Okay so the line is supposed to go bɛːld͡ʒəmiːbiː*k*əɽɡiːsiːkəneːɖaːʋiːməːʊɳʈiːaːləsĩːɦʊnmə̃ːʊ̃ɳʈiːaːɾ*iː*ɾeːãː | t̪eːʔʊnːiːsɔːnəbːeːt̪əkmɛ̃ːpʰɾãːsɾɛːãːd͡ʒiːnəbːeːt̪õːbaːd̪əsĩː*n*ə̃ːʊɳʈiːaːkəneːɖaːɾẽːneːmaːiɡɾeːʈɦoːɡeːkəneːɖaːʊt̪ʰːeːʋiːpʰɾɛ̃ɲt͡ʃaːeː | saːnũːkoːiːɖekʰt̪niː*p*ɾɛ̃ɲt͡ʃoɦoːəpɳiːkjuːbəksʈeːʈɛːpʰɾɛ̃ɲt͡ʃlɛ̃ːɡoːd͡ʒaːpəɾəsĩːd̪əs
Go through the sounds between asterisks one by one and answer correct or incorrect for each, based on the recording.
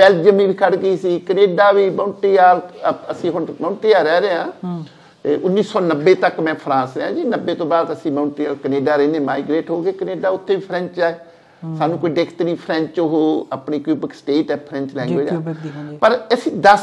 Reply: incorrect, incorrect, incorrect, incorrect

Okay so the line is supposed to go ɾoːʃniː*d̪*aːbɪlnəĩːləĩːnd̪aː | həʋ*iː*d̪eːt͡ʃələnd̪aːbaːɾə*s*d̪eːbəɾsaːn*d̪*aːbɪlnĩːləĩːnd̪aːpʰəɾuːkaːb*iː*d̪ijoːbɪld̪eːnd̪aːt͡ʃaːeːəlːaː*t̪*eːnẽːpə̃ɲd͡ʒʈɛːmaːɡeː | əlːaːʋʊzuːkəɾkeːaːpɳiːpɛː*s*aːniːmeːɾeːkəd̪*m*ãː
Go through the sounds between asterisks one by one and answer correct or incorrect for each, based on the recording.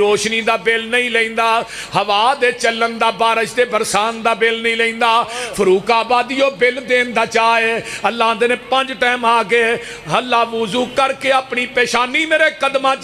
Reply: correct, incorrect, incorrect, correct, incorrect, incorrect, incorrect, correct

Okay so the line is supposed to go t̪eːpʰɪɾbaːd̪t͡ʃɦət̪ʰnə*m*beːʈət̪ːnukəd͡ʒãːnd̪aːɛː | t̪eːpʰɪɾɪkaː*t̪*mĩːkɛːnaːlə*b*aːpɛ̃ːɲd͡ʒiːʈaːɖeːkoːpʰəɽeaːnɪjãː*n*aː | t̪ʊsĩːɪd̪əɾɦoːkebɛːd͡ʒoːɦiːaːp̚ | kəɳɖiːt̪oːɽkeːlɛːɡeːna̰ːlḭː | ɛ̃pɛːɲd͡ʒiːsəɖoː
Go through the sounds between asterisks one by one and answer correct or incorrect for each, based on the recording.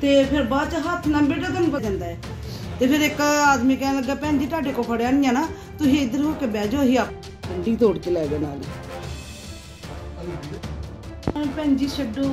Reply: correct, incorrect, incorrect, correct

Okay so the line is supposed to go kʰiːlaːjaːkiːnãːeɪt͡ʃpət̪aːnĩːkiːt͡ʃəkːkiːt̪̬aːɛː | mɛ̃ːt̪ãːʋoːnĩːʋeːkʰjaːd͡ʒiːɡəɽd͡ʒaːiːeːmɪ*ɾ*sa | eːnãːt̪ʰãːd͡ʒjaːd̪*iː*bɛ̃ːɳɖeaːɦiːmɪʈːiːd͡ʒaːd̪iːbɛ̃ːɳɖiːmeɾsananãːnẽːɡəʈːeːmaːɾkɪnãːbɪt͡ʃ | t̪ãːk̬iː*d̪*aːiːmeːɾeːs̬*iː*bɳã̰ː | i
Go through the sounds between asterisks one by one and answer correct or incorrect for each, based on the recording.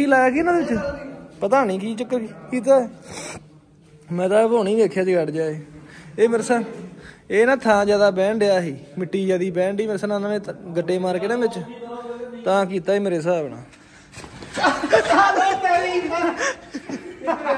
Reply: correct, incorrect, incorrect, incorrect

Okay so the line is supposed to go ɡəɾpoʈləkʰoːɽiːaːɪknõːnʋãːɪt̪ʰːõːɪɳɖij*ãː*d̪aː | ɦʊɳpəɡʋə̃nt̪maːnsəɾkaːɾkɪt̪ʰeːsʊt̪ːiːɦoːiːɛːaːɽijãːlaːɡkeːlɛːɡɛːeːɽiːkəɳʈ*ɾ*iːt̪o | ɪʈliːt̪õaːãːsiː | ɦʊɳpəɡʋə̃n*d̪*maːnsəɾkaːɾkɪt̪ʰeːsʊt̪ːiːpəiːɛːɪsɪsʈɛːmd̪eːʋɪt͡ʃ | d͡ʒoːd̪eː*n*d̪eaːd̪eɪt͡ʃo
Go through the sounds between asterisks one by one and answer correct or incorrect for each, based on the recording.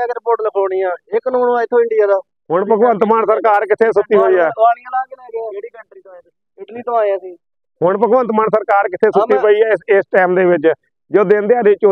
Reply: incorrect, correct, incorrect, correct

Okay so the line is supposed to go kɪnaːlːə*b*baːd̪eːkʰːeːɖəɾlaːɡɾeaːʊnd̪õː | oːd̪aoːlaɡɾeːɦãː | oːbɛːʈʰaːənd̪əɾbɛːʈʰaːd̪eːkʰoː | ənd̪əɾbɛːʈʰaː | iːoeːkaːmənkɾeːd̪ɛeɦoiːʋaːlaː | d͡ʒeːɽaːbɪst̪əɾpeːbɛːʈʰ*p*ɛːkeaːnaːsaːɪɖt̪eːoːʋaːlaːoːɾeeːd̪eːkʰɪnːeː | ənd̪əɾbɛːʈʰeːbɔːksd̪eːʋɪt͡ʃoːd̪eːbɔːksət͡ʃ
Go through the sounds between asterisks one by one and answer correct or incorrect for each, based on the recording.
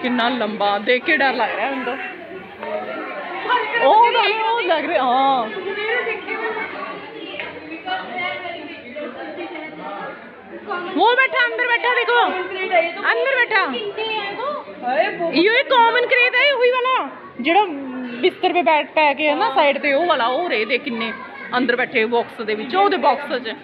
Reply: incorrect, correct

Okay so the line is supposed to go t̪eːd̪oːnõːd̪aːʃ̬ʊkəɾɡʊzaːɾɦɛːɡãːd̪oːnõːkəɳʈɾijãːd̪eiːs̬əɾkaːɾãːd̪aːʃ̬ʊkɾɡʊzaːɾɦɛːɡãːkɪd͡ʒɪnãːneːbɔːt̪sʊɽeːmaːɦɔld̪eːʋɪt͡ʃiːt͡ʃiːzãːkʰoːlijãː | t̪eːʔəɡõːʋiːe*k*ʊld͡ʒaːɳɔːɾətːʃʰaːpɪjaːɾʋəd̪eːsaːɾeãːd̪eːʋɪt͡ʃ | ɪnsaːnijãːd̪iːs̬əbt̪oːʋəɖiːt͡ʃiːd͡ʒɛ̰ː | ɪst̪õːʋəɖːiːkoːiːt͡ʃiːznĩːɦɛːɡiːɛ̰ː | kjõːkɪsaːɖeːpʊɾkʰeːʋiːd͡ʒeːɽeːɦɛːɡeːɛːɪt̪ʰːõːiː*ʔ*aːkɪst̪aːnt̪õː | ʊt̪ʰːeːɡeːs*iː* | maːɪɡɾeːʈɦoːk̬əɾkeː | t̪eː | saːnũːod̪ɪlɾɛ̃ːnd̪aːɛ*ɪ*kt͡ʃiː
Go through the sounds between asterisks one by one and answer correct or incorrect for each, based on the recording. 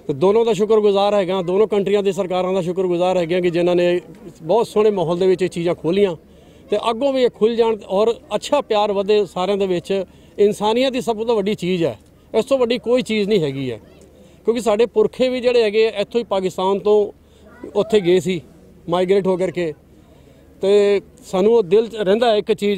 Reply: incorrect, incorrect, correct, correct

